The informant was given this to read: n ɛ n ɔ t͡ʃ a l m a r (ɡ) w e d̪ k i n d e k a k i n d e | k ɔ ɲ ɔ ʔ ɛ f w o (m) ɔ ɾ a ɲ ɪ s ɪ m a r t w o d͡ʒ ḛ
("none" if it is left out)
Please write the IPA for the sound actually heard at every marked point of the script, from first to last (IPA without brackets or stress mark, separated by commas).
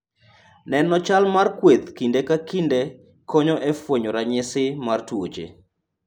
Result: k, ɲ